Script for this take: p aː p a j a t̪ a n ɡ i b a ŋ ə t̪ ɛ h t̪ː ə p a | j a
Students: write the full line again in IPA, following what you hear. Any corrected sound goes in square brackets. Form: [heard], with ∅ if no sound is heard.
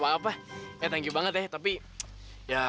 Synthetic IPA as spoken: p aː p a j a t̪ a [ŋ] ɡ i b a ŋ ə t̪ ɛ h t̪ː [a] p [i] | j a